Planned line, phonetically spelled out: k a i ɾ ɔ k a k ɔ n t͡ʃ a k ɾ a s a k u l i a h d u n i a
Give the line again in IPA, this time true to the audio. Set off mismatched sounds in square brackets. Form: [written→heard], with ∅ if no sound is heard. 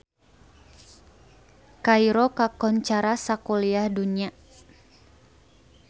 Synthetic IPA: k a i ɾ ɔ k a k ɔ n t͡ʃ a [k→∅] ɾ a s a k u l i a h d u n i a